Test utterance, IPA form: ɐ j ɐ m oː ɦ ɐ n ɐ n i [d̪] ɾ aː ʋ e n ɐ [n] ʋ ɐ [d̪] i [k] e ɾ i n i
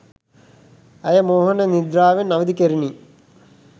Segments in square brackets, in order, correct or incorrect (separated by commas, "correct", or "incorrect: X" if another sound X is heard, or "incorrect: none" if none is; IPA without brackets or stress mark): correct, incorrect: none, correct, correct